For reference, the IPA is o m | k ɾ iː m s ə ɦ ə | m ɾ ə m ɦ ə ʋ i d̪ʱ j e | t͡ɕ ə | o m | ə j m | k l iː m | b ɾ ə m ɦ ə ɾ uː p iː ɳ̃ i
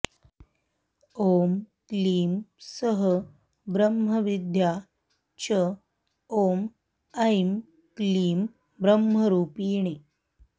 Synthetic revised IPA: o m | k l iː m s ə ɦ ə | b ɾ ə m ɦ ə ʋ i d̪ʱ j a | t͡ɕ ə | o m | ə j m | k l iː m | b ɾ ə m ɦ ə ɾ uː p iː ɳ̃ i